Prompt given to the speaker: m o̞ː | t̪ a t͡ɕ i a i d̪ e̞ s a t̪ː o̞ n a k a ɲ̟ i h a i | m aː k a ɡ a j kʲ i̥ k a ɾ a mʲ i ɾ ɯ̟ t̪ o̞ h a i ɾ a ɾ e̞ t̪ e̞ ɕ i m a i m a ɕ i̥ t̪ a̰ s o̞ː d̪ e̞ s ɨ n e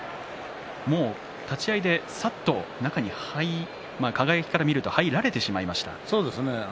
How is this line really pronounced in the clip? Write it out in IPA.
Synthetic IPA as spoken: m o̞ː | t̪ a t͡ɕ i a i d̪ e̞ s a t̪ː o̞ n a k a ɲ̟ i h a i | m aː k a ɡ a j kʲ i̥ k a ɾ a mʲ i ɾ ɯ̟ t̪ o̞ h a i ɾ a ɾ e̞ t̪ e̞ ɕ i m a i m a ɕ i̥ t̪ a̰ s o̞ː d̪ e̞ s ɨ n e

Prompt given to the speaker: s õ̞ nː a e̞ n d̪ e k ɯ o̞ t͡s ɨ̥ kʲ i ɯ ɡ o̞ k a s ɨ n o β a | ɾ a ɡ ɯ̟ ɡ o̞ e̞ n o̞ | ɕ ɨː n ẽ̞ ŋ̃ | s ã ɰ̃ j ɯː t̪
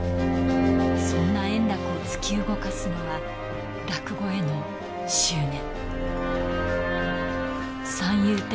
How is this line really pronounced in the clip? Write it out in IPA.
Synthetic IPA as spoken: s õ̞ nː a ẽ̞ n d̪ a k ɯ o̞ t͡s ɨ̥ kʲ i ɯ ɡ o̞ k a s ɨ n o β a | ɾ a k ɯ̟ ɡ o̞ e̞ n o̞ | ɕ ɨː n ẽ̞ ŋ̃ | s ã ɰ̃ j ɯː t̪

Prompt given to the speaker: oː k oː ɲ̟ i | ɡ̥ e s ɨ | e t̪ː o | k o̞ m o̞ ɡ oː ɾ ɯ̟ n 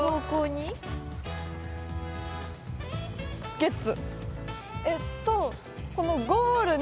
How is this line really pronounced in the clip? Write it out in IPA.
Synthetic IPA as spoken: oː k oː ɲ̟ i | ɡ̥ e t͡s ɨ | e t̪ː o | k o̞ n o̞ ɡ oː ɾ ɯ̟ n

